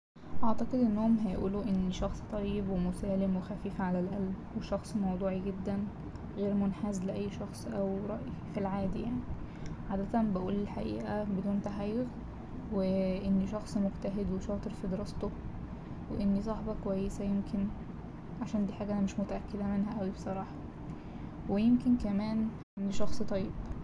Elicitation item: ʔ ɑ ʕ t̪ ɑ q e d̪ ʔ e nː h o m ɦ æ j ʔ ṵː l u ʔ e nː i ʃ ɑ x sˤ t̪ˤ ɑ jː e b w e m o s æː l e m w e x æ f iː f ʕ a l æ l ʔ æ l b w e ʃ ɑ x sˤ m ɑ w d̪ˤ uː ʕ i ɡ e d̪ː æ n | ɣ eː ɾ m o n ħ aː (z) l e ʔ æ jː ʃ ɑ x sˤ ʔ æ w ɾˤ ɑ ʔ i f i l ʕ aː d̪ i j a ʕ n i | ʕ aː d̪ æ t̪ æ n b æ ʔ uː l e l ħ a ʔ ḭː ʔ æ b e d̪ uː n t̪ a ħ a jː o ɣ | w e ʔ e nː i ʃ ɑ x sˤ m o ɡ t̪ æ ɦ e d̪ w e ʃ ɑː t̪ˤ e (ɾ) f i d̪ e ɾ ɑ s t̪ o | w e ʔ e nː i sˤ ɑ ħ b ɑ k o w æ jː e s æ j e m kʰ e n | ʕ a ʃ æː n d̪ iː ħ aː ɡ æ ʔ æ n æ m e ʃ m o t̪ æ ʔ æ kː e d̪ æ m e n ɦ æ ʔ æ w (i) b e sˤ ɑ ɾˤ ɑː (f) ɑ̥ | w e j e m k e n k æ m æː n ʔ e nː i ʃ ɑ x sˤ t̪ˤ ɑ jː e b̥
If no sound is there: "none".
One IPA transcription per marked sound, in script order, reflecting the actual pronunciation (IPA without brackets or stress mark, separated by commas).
z, ɾ, i, ħ